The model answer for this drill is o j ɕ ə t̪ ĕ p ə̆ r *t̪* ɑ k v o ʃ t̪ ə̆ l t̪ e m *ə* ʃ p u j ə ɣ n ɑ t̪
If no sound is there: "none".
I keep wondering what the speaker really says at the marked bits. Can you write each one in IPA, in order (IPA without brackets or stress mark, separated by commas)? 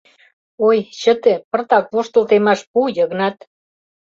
t̪, ɑ